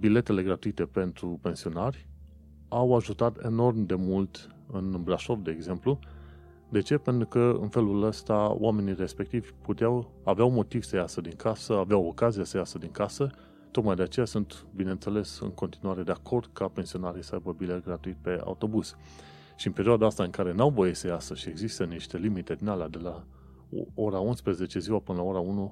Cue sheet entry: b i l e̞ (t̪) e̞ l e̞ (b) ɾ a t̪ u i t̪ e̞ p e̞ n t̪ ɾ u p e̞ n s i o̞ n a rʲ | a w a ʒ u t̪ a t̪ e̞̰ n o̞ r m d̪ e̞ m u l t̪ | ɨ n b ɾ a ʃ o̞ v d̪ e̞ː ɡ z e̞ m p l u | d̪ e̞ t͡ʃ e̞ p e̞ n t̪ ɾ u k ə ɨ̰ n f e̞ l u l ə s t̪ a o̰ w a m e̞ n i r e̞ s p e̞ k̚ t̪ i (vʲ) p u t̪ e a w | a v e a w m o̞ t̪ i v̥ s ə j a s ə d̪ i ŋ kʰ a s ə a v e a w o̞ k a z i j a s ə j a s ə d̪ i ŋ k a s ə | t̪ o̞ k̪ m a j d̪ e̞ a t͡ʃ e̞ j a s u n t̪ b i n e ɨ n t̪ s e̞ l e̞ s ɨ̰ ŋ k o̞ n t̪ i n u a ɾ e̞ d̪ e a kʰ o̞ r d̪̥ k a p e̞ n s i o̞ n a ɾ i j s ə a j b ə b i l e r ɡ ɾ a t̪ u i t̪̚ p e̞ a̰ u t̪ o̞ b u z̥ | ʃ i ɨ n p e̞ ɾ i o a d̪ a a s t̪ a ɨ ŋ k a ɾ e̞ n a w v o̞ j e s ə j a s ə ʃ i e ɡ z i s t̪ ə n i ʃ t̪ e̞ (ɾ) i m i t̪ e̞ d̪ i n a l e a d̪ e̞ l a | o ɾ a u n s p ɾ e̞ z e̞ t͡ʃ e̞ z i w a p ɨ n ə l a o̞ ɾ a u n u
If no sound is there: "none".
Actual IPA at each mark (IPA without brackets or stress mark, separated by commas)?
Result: t̪, ɡ, vʲ, l